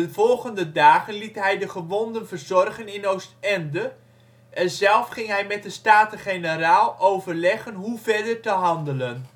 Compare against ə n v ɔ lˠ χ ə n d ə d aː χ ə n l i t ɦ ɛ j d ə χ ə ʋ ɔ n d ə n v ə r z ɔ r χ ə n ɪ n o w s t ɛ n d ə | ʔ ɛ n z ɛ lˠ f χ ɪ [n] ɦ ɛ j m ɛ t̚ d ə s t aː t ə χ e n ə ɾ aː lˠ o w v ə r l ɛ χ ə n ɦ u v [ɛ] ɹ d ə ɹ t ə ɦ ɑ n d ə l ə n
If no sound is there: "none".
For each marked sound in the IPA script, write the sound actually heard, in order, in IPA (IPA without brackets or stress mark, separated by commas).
ŋ, ɛ